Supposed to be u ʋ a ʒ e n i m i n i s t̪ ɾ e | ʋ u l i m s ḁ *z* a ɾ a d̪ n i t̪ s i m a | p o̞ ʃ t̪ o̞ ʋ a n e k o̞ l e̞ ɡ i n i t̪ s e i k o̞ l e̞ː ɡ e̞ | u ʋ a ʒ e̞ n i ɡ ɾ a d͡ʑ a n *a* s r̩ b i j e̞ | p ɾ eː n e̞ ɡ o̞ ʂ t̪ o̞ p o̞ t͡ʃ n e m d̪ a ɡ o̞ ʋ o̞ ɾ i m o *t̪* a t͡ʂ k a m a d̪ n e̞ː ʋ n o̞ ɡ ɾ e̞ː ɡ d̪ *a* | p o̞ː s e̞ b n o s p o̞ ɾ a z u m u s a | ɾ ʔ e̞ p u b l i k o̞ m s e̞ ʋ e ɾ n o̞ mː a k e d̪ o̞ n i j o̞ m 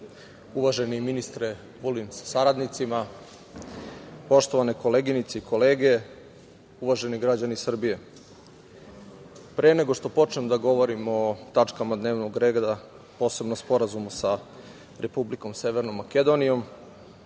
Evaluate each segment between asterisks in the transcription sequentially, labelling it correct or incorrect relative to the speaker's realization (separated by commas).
incorrect, incorrect, correct, correct